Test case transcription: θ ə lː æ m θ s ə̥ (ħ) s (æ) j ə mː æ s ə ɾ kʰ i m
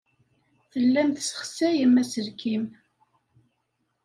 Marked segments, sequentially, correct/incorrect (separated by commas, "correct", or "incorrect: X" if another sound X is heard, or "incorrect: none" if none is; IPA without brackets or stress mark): incorrect: χ, correct